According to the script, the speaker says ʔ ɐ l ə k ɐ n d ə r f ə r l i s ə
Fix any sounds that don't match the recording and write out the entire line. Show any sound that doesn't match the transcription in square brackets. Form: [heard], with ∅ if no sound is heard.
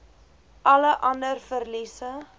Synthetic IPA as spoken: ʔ ɐ l ə [ʔ] ɐ n d ə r f ə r l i s ə

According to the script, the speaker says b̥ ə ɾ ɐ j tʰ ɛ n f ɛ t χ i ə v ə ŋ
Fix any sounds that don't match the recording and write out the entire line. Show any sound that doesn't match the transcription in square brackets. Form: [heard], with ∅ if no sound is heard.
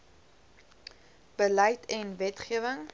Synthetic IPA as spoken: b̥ ə [l] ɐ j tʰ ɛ n [v] ɛ t χ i ə v ə ŋ

